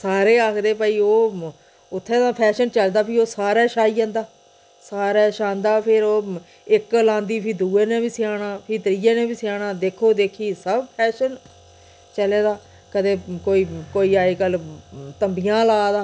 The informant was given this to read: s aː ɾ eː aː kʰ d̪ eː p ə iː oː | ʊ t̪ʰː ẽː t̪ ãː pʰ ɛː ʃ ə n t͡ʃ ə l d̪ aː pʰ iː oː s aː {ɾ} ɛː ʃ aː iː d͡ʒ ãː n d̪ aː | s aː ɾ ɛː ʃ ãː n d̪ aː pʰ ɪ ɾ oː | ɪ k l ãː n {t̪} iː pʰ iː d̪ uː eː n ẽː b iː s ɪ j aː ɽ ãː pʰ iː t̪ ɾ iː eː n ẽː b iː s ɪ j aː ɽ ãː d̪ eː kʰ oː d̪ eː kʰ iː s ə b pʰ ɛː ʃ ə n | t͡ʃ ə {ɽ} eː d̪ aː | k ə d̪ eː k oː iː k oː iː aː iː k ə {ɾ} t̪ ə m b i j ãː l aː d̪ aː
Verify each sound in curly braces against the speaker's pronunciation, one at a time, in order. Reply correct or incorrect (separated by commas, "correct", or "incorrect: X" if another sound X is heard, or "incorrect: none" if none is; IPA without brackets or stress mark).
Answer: correct, incorrect: d̪, incorrect: l, incorrect: l